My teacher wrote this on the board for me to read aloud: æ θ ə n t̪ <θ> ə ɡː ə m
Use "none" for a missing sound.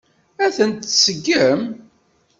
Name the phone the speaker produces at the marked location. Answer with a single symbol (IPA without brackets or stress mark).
s